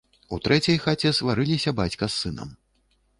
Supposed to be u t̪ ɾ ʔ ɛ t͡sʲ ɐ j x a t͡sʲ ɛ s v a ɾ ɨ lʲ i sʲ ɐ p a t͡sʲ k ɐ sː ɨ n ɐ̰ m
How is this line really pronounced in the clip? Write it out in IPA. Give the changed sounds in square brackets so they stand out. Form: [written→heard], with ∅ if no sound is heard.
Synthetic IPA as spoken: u t̪ ɾ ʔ ɛ t͡sʲ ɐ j x a t͡sʲ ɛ s v a ɾ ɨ lʲ i sʲ ɐ [p→b] a t͡sʲ k ɐ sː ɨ n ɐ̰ m